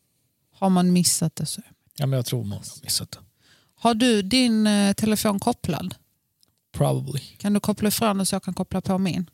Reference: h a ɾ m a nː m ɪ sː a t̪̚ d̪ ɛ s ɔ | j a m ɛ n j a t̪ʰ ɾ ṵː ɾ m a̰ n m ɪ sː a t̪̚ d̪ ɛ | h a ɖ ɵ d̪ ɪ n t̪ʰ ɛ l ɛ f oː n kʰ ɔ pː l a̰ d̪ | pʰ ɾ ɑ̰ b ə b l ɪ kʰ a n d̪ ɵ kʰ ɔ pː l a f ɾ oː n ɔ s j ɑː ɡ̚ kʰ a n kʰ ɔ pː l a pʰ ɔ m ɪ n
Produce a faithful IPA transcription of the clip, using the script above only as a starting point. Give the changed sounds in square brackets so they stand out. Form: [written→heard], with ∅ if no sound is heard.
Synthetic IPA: h a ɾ m a [nː→n] m ɪ sː a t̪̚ d̪ ɛ s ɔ | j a m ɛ n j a t̪ʰ ɾ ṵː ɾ m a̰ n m ɪ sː a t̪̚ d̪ ɛ | h a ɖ ɵ d̪ ɪ n t̪ʰ ɛ l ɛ f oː n kʰ ɔ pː l a̰ d̪ | pʰ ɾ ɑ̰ b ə b l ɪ kʰ a n d̪ ɵ kʰ ɔ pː l a f ɾ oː n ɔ s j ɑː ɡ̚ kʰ a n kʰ ɔ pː l a pʰ ɔ m ɪ n